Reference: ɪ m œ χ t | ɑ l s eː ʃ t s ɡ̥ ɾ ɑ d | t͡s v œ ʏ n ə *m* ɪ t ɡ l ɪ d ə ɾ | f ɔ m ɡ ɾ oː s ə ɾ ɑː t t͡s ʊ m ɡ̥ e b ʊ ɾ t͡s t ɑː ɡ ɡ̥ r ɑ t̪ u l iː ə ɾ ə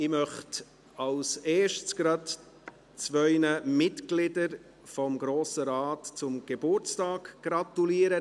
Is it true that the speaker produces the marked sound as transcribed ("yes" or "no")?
yes